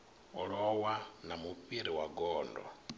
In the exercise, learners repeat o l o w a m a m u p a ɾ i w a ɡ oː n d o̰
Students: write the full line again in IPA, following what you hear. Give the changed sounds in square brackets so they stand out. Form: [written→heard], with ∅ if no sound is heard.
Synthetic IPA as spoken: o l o w a [m→n] a m u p [a→i] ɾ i w a ɡ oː n d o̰